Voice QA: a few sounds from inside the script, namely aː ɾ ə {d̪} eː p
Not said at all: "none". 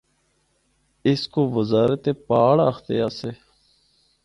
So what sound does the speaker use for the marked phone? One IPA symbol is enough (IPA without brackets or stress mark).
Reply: t̪